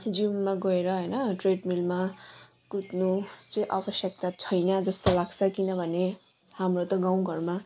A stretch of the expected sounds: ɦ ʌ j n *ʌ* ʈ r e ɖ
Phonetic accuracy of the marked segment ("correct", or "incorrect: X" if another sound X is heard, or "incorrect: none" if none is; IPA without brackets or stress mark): correct